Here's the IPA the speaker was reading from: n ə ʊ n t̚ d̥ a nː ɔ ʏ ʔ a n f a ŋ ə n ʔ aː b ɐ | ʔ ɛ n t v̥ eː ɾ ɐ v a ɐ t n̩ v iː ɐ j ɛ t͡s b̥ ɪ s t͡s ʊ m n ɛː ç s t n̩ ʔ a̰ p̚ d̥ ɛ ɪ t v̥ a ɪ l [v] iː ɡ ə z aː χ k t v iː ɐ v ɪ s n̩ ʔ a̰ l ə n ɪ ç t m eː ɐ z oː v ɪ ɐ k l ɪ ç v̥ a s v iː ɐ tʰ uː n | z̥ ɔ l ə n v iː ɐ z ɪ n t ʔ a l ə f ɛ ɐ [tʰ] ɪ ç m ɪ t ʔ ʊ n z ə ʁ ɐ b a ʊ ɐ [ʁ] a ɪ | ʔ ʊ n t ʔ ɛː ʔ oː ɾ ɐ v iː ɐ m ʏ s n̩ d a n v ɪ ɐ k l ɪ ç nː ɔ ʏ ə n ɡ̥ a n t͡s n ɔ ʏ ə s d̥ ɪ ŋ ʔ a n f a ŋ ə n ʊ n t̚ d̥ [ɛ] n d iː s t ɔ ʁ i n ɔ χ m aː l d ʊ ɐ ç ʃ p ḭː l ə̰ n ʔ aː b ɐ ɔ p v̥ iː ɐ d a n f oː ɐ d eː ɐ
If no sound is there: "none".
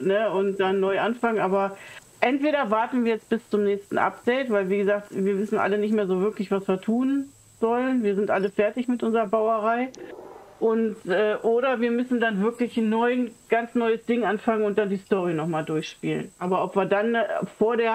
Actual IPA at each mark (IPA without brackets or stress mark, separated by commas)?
v, t, ʁ, a